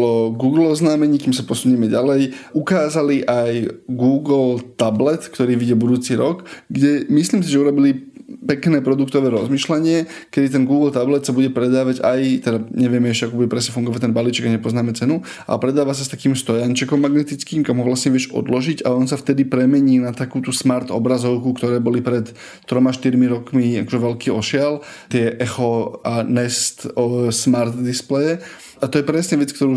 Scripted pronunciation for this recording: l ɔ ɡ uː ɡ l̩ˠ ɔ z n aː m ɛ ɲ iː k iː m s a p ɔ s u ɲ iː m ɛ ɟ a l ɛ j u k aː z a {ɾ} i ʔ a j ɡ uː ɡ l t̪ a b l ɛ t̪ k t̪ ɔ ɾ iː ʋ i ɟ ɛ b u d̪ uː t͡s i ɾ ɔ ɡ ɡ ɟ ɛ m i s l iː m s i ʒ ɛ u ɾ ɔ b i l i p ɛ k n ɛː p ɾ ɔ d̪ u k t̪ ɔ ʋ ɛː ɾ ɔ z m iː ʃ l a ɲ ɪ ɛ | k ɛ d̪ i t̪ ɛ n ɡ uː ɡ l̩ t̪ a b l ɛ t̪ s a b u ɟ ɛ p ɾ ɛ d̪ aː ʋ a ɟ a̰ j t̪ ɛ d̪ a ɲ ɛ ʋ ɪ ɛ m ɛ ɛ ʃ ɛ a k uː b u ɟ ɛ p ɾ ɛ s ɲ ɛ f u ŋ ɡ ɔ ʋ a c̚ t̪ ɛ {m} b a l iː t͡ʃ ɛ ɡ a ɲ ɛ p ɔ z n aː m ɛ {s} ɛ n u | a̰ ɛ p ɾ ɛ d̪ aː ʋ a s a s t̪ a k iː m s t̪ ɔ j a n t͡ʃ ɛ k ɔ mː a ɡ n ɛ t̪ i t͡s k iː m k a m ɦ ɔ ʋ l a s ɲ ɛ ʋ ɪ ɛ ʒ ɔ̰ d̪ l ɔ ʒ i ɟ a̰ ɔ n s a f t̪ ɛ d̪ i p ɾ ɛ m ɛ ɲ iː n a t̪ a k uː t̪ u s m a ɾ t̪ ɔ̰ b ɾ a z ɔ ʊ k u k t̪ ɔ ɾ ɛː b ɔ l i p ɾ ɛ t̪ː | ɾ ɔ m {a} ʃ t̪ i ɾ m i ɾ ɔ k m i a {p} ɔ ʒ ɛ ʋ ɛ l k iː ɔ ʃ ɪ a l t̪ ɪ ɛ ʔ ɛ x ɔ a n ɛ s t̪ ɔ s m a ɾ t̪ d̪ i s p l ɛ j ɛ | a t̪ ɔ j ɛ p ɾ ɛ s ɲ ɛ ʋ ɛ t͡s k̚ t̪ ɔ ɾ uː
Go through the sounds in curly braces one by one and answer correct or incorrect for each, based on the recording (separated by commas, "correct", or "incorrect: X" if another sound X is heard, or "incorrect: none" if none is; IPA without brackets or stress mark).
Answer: incorrect: l, incorrect: n, incorrect: t͡s, correct, incorrect: k